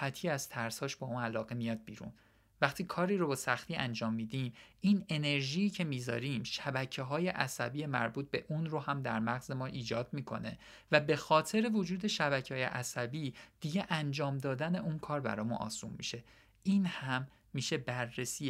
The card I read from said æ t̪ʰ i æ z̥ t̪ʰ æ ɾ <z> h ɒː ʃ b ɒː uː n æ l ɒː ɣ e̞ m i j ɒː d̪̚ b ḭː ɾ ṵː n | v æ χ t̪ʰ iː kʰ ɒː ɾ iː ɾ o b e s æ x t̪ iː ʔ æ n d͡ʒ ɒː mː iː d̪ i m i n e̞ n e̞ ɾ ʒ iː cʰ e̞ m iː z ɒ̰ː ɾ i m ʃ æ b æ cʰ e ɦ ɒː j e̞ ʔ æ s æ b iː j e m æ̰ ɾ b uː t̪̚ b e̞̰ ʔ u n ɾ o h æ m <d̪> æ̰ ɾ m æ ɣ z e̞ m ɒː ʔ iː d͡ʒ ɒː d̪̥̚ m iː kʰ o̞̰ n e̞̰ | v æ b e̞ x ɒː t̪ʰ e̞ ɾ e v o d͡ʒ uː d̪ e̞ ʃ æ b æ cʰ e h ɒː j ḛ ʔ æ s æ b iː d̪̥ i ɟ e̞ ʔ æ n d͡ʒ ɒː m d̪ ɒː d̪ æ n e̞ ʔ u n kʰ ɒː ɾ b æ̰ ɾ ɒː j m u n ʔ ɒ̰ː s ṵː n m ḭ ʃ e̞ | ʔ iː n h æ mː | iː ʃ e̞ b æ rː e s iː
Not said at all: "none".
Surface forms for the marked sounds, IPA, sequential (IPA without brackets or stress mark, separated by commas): s, d̪